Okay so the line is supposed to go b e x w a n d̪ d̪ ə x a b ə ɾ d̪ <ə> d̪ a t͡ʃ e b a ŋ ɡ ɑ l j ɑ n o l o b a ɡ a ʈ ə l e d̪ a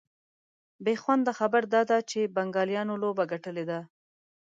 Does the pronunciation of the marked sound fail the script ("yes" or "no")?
yes